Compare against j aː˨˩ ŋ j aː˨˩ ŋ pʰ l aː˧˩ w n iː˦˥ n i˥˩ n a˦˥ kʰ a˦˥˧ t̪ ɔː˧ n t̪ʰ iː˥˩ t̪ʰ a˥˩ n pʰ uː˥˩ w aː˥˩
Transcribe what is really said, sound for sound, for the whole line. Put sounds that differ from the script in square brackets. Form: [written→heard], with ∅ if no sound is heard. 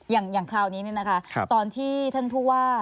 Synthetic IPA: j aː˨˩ ŋ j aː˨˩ ŋ [pʰ→kʰ] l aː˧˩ w n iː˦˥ n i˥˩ n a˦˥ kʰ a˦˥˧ t̪ ɔː˧ n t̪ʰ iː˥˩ t̪ʰ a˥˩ n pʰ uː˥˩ w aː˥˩